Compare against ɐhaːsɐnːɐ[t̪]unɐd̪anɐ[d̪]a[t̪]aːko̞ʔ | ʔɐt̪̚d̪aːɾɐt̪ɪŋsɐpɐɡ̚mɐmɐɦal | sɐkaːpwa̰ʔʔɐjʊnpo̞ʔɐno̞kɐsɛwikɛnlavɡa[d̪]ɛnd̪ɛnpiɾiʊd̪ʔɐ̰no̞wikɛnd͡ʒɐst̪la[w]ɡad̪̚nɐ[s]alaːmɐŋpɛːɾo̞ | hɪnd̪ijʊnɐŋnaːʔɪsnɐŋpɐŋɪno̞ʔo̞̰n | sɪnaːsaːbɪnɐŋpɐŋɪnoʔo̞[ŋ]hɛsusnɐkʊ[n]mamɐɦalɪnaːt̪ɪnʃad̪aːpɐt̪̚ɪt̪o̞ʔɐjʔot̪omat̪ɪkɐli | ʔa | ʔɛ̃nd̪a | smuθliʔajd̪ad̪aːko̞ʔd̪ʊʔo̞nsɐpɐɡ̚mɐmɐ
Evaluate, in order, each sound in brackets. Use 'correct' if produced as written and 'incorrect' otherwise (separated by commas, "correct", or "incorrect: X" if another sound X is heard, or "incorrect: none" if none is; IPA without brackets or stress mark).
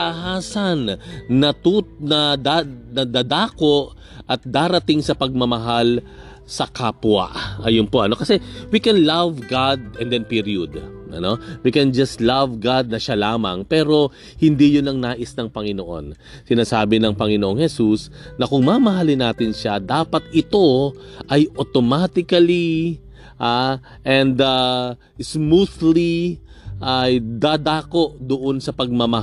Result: correct, correct, incorrect: d̪, correct, incorrect: v, incorrect: ʃ, correct, incorrect: ŋ